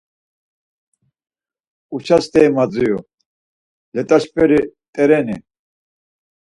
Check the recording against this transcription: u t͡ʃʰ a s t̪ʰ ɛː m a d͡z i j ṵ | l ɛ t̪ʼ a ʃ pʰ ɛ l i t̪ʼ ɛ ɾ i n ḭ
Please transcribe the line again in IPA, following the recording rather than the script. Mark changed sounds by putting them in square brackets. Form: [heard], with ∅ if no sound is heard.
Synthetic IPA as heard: u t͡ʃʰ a s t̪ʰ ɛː m a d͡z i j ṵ | l ɛ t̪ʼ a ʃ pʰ ɛ [ɾ] i t̪ʼ ɛ ɾ [ɛ] n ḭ